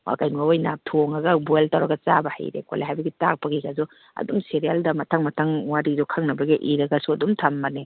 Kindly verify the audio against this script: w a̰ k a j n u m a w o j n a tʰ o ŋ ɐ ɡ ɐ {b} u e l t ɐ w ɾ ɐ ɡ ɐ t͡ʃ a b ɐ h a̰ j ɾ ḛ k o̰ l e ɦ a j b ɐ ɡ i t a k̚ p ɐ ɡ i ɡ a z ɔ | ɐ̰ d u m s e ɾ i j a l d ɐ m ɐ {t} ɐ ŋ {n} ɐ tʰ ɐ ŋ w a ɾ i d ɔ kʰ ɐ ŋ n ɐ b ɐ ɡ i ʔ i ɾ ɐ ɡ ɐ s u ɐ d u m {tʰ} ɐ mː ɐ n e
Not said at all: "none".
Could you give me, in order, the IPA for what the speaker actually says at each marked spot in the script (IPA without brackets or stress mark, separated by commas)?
b, tʰ, m, tʰ